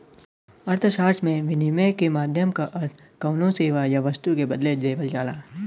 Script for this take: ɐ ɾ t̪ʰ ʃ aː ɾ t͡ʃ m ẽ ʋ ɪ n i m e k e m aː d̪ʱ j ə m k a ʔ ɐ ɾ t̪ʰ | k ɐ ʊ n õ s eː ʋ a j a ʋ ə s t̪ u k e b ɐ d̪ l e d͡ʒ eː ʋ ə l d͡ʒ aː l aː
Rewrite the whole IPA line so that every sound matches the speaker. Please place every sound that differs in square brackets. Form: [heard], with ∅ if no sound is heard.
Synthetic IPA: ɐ ɾ t̪ʰ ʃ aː ɾ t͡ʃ m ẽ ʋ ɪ n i m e k e m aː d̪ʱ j ə m k a ʔ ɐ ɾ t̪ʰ | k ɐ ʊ n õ s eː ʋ a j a ʋ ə s t̪ u k e b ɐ d̪ l e d͡ʒ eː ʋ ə l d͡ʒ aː l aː